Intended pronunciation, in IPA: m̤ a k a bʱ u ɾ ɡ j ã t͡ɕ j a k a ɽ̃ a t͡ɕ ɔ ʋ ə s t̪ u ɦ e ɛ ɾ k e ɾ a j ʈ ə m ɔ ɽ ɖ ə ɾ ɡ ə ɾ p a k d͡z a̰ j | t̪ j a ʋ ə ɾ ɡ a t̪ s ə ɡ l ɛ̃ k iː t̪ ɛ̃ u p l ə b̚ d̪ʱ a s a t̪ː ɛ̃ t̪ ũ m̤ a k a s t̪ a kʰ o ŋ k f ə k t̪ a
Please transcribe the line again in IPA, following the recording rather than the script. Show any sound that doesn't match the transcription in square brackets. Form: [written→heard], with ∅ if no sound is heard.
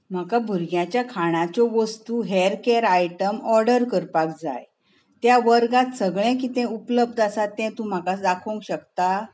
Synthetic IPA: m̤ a k a bʱ u ɾ ɡ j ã t͡ɕ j a [k→kʰ] a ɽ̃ a t͡ɕ ɔ ʋ ə s t̪ u ɦ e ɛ ɾ k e ɾ a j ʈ ə m ɔ [ɽ→ɾ] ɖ ə ɾ [ɡ→k] ə ɾ p a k d͡z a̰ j | t̪ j a ʋ ə ɾ ɡ a t̪ s ə ɡ [l→ɭ] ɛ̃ k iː t̪ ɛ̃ u p l ə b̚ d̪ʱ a s a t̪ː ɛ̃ t̪ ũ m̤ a k a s [t̪→d̪] a kʰ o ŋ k [f→ɕ] ə k t̪ a